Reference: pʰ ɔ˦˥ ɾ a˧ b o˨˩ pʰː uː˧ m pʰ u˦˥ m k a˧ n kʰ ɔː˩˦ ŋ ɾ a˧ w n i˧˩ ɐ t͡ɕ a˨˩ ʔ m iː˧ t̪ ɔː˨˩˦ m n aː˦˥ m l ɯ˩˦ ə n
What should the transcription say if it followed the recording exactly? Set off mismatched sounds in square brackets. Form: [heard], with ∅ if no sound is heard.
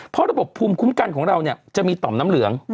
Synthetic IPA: pʰ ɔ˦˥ ɾ a˧ b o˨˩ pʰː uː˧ m [kʰ] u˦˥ m k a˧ n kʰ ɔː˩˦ ŋ ɾ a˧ w n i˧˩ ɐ t͡ɕ a˨˩ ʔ m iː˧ t̪ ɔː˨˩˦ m n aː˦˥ m l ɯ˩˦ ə [ŋ]